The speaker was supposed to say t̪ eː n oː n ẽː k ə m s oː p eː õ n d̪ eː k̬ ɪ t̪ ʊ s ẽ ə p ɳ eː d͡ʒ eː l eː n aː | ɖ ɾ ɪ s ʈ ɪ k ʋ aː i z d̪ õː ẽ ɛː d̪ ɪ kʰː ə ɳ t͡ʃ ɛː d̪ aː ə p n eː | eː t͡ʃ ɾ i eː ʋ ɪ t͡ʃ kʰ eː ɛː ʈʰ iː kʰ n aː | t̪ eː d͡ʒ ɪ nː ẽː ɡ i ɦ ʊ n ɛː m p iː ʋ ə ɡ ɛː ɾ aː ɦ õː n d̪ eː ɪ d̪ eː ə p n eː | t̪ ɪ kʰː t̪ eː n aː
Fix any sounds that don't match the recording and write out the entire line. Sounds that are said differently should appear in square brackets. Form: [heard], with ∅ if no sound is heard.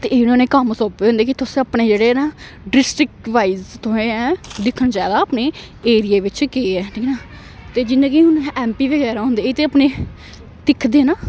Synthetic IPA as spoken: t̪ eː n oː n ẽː k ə m s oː p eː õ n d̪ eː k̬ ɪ t̪ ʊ s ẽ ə p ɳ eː d͡ʒ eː [ɽ] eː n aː | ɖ ɾ ɪ s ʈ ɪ k ʋ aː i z [t̪] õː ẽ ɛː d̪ ɪ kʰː ə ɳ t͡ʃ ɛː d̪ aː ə p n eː | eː [∅] ɾ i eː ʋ ɪ t͡ʃ [k] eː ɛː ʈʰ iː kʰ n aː | t̪ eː d͡ʒ ɪ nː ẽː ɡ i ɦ ʊ n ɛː m p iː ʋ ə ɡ ɛː ɾ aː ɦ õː n d̪ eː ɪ [t̪] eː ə p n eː | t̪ ɪ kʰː [d̪] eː n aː